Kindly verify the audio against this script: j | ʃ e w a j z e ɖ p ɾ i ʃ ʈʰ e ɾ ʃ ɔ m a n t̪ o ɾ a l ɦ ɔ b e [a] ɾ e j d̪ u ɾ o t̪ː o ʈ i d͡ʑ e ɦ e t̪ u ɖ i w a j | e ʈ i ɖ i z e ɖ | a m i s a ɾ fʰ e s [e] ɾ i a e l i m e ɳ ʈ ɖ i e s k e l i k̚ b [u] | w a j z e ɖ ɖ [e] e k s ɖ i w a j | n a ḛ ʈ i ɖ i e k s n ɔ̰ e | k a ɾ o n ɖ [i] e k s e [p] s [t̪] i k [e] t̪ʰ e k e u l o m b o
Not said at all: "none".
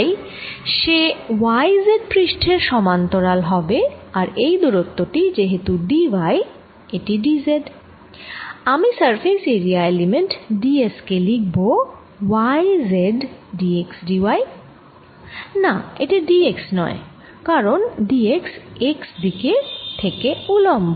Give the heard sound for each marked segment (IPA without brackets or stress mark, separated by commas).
a, e, o, i, i, k, d̪, e